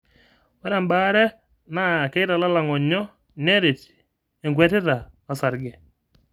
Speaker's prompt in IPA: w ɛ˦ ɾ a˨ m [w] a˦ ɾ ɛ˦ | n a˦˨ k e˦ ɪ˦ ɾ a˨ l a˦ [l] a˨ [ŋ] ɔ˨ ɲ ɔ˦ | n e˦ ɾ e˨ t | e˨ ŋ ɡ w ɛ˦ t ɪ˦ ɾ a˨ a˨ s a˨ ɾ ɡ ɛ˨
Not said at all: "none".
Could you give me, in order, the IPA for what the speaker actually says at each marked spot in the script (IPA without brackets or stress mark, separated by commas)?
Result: b, l, ŋ